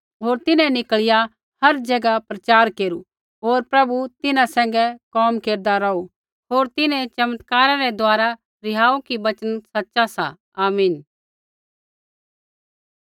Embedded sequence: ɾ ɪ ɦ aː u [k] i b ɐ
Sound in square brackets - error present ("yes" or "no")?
no